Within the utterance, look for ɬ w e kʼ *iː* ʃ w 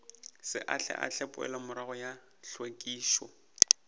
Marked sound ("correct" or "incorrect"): correct